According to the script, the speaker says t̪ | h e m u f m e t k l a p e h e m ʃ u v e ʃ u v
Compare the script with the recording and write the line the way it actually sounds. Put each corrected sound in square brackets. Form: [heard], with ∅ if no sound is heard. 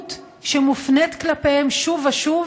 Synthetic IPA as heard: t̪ | [ʃ] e m u f [n] e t k l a p e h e m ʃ u v [a] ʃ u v